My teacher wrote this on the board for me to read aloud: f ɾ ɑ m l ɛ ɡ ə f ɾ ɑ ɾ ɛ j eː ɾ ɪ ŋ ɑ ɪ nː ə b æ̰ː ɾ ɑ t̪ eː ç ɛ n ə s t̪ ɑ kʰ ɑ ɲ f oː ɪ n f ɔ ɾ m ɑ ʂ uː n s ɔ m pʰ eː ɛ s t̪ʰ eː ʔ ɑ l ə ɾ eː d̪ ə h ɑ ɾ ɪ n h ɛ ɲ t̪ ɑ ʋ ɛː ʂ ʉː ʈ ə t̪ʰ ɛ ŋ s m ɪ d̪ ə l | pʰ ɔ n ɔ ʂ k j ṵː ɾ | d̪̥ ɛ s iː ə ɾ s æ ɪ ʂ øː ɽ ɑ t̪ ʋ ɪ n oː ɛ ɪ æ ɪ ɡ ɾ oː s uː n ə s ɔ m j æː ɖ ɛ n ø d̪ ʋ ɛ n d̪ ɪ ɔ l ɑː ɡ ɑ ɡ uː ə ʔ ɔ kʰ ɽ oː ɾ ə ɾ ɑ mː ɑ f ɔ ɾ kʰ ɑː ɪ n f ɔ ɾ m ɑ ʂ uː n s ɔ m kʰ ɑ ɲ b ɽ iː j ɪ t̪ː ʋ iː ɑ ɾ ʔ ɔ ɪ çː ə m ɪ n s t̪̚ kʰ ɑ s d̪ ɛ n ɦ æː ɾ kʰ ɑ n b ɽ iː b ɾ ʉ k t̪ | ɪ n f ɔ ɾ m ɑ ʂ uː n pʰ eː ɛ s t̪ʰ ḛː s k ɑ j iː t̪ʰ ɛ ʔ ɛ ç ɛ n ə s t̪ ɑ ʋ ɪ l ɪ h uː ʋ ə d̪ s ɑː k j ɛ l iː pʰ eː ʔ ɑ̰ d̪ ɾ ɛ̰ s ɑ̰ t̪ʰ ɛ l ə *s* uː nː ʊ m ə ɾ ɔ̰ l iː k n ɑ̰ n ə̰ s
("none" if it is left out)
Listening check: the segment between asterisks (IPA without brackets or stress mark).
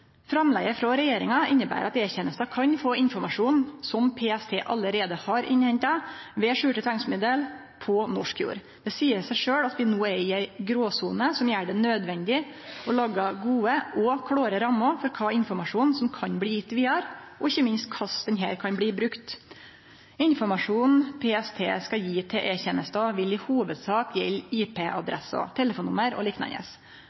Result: f